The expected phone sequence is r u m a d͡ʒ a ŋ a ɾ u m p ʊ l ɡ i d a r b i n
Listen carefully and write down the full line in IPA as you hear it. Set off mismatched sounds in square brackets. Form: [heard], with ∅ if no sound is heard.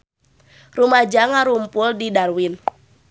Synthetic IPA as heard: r u m a d͡ʒ a ŋ a ɾ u m p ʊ l [d] i d a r [w] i n